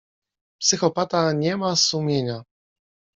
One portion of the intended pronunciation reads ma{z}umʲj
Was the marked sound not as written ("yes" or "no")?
yes